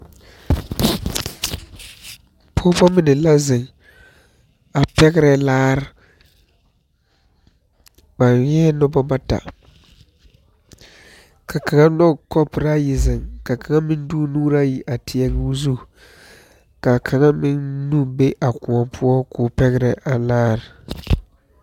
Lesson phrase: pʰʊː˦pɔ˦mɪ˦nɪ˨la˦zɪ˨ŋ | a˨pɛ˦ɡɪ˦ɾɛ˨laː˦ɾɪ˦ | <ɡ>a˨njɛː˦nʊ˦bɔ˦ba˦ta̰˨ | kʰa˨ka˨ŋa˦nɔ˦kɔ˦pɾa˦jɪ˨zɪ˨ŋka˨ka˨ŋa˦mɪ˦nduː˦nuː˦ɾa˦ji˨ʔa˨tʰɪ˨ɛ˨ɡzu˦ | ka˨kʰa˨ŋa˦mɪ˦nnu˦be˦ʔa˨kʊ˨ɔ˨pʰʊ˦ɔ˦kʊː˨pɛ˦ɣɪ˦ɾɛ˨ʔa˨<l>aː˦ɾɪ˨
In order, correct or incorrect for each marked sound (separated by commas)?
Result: incorrect, correct